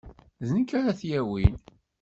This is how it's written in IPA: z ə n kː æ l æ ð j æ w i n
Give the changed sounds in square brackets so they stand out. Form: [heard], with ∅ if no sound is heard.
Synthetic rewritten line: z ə n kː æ [ɾ] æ [θ] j æ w i n

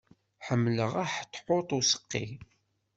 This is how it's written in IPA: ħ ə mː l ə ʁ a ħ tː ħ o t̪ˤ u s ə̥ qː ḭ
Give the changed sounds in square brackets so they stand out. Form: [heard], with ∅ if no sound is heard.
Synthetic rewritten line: ħ ə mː l ə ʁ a ħ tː ħ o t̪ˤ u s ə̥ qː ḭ

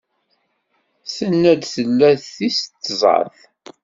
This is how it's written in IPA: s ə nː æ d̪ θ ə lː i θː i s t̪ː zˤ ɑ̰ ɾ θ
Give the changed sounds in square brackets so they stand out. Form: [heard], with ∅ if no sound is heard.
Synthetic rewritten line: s ə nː æ d̪ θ ə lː [æ] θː i s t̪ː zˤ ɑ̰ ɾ θ

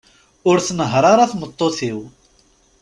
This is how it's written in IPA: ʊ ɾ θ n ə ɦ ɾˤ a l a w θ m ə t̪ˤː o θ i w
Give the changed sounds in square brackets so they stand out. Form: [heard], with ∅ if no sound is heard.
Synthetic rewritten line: ʊ ɾ θ n ə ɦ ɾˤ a [ɾ] a [∅] θ m ə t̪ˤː o θ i w

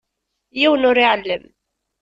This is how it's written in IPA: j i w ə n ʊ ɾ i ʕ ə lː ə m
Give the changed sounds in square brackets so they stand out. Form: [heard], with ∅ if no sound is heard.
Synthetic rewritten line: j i w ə n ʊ ɾ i ʕ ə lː ə m

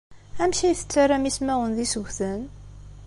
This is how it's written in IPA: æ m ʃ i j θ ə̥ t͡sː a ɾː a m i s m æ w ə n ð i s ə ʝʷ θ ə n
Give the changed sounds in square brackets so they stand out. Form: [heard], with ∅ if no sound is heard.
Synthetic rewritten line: æ m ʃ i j θ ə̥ t͡sː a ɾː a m i s m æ w ə n ð i s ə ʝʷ θ ə n

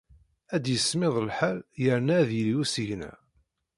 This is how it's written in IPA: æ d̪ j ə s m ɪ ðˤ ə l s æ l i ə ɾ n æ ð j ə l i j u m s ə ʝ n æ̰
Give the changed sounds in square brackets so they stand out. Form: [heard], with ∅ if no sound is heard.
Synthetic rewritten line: æ d̪ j ə s m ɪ ðˤ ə l [ħ] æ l [j] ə ɾ n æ ð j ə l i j u [∅] s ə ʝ n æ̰

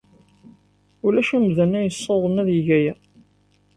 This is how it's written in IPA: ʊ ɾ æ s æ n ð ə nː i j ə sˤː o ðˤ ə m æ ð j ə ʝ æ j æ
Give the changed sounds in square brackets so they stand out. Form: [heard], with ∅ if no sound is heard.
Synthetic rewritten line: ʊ [l] æ [ʃ] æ [m] ð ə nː [æ] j ə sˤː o ðˤ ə m æ ð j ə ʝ æ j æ

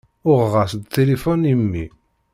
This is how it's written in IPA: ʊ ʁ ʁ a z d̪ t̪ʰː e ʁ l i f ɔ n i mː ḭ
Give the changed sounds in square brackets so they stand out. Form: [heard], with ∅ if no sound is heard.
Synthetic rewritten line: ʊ ʁ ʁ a [s] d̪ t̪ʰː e [∅] l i f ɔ n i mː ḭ

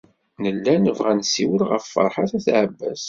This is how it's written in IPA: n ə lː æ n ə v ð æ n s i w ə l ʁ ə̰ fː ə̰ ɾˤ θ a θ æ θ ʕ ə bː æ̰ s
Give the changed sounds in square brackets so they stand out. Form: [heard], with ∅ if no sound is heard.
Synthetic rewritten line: n ə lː æ n ə v [ʁ] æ n s i w ə l ʁ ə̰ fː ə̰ ɾˤ [ħ] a θ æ θ ʕ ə bː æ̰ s

